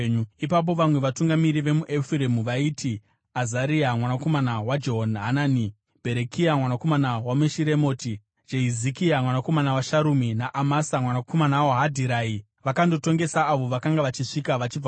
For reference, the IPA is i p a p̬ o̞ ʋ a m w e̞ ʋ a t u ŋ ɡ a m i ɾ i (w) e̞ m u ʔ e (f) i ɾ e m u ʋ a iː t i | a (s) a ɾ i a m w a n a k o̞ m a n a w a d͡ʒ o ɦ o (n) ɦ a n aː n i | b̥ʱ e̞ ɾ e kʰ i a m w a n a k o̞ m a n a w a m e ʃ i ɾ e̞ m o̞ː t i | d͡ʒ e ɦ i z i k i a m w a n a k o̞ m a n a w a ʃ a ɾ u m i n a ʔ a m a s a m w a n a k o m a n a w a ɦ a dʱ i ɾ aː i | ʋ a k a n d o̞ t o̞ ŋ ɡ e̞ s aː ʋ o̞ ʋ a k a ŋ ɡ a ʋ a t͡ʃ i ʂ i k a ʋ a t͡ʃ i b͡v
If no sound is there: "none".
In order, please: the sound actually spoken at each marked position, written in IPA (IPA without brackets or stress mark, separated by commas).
ʋ, f, z, n